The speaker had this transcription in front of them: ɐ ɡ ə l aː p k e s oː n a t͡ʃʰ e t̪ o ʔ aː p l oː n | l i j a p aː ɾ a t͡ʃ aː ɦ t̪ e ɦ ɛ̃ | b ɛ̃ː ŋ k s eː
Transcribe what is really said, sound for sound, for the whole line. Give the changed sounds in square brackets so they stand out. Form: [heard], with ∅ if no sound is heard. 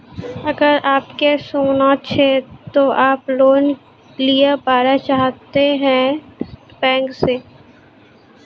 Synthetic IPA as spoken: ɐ ɡ ə [ɾ] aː p k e s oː n a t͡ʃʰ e t̪ o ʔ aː p l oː n | l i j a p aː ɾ a t͡ʃ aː ɦ t̪ e ɦ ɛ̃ | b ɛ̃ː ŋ k s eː